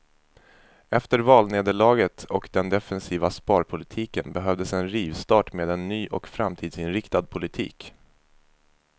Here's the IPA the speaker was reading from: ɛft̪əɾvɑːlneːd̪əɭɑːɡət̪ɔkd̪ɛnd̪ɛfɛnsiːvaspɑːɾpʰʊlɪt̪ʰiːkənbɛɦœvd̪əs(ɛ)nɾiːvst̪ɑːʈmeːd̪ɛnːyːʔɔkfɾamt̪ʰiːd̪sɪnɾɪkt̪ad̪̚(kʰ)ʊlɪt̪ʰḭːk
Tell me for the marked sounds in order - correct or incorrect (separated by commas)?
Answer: correct, incorrect